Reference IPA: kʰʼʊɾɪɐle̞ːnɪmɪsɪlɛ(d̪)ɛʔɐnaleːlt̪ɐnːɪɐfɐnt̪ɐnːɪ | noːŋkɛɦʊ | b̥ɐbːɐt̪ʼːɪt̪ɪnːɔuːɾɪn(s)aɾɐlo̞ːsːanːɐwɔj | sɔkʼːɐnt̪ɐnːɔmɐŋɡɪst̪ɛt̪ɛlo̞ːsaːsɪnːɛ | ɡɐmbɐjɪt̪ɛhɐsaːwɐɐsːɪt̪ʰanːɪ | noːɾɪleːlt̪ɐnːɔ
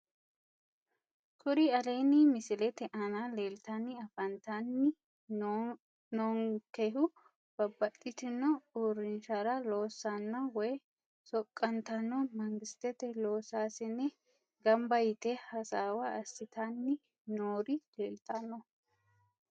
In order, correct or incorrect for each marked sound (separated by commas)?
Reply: incorrect, incorrect